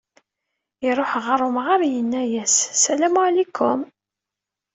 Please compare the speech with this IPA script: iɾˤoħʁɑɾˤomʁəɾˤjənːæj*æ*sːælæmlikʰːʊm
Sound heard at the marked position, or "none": æ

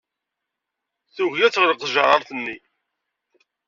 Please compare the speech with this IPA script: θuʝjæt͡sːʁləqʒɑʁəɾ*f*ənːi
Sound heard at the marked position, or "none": θ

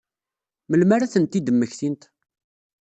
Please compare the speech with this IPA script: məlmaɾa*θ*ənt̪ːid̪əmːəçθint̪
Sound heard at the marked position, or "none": θ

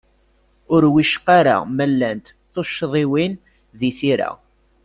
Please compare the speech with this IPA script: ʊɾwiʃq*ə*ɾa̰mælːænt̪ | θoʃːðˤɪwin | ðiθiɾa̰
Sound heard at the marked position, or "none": a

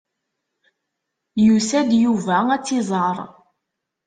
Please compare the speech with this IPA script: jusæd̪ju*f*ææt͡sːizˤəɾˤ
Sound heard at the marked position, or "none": v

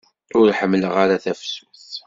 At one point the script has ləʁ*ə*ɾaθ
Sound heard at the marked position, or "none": a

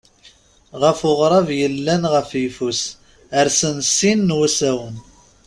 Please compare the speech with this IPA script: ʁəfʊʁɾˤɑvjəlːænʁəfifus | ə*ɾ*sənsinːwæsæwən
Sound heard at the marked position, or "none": ɾ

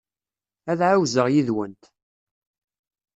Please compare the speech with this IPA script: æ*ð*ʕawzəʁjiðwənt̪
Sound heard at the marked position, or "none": ð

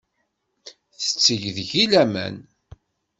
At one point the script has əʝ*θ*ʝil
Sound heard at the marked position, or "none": ð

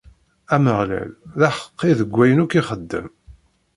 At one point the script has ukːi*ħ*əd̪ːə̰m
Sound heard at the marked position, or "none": χ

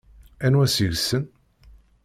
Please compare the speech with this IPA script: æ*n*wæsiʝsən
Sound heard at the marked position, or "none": n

